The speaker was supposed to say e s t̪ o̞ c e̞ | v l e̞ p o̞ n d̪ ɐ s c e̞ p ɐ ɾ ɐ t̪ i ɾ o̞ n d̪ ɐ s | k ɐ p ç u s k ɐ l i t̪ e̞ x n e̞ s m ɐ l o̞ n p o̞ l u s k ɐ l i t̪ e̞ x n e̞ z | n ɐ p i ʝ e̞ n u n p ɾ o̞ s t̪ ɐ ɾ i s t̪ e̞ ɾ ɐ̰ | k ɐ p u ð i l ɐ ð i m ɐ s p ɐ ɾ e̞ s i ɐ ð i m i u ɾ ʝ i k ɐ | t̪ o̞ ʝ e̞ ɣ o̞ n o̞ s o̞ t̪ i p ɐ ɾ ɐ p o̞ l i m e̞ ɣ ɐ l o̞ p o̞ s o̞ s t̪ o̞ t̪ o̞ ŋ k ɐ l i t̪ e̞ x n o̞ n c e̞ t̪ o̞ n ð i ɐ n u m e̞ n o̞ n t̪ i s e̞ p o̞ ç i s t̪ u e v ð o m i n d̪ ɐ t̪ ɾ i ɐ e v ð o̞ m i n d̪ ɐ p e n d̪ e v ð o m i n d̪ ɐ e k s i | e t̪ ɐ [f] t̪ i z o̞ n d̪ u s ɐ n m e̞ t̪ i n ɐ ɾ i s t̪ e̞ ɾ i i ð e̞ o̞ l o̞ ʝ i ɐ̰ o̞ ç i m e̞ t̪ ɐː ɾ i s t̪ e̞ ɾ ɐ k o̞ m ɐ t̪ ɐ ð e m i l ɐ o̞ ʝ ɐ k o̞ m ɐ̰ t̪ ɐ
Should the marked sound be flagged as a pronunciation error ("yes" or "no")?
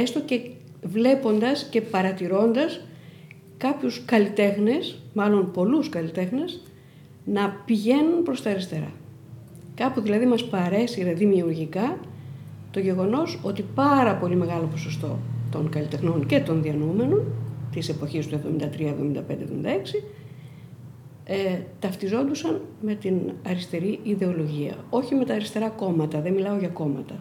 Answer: no